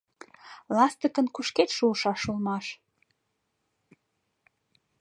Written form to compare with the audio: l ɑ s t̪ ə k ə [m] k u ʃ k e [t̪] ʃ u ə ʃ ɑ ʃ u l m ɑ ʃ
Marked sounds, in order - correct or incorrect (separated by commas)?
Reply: incorrect, correct